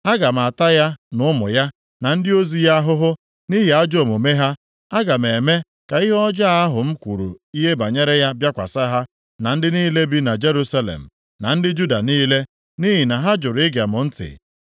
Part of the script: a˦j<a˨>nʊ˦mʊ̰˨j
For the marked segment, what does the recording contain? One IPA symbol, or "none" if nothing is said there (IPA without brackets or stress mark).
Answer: a˦